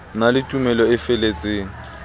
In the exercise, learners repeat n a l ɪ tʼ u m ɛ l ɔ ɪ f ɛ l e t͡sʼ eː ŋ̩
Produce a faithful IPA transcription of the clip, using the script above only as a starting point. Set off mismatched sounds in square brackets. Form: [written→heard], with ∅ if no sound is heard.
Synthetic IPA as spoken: n a l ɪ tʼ u m ɛ l ɔ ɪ f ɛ l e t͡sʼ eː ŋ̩